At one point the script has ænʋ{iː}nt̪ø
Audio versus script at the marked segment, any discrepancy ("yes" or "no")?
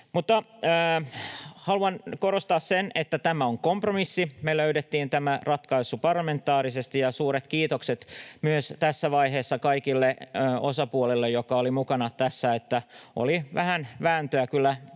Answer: yes